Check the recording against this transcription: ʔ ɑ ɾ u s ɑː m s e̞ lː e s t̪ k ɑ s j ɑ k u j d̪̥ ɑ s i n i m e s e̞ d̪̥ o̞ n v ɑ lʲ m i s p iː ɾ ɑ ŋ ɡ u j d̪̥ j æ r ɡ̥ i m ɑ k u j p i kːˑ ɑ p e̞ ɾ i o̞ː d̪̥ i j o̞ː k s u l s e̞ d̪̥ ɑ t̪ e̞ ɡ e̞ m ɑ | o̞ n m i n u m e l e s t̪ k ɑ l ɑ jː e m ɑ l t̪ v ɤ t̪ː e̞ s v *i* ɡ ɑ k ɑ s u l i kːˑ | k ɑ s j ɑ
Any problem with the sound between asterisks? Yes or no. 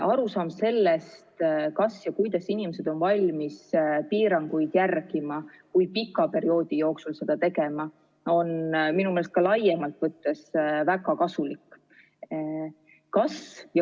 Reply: yes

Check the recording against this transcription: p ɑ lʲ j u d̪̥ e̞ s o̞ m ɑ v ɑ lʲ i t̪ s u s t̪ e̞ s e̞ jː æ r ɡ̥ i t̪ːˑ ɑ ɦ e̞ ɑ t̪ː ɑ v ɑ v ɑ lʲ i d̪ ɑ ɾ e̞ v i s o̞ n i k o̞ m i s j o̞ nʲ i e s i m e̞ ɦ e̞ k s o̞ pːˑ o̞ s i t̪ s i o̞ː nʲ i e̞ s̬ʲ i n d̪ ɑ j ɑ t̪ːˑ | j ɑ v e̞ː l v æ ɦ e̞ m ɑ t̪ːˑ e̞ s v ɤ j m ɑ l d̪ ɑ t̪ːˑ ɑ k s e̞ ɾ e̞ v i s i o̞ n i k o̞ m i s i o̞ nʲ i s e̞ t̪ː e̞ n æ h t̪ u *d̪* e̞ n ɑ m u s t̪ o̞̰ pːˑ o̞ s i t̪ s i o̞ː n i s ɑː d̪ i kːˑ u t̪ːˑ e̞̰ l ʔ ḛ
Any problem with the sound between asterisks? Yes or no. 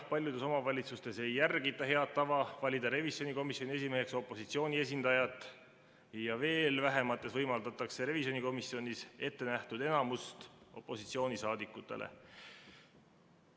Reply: no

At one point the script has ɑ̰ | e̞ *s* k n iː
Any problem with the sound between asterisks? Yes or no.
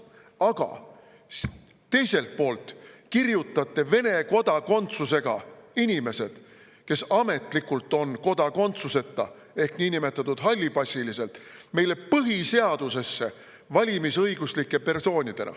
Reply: yes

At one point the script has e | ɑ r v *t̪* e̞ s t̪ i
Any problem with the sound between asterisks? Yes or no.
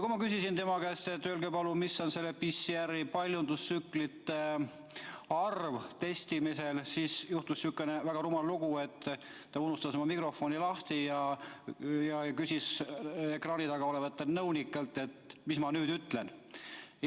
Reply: no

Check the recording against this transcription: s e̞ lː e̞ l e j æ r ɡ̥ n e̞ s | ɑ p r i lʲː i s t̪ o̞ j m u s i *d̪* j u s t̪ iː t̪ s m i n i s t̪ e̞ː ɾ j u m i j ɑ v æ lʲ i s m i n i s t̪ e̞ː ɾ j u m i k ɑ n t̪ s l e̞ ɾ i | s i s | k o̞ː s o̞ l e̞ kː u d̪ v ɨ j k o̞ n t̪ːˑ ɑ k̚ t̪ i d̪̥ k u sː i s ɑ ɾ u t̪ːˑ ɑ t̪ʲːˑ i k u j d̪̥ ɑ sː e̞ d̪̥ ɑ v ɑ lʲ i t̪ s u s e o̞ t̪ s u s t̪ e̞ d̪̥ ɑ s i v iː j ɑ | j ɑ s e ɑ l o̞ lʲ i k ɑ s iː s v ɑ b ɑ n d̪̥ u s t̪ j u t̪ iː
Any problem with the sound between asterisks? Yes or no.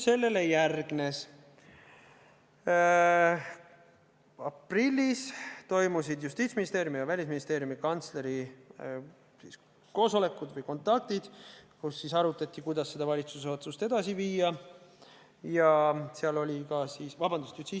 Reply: no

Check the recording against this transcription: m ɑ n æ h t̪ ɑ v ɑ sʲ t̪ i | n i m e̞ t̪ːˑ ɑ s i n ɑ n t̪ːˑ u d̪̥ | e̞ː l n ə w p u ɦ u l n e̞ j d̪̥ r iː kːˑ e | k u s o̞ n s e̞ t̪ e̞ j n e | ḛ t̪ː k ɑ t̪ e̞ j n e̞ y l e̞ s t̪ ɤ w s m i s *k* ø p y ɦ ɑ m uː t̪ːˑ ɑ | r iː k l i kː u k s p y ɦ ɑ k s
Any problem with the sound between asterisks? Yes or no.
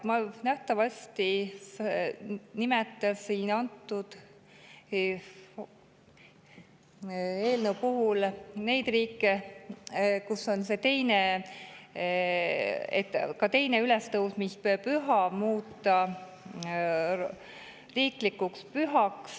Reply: yes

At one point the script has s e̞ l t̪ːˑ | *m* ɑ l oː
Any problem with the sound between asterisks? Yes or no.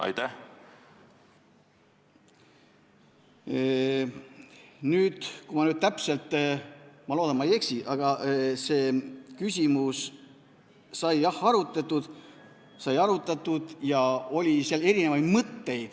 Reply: no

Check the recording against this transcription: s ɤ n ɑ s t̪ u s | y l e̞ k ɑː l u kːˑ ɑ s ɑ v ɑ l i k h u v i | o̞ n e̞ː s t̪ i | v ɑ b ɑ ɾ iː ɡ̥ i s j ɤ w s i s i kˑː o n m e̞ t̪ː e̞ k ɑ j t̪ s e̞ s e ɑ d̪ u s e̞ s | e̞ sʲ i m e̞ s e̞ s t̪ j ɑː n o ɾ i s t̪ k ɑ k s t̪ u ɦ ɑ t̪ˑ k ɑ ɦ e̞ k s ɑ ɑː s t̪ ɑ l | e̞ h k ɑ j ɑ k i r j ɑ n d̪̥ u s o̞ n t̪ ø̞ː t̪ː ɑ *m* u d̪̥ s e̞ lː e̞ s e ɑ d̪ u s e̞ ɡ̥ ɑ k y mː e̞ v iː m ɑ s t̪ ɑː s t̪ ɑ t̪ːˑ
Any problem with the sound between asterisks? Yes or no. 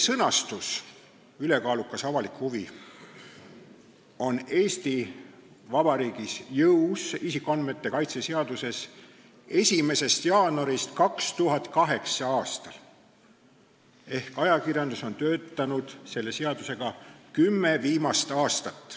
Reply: yes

